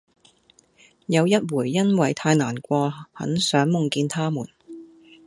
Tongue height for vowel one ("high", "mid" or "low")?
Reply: low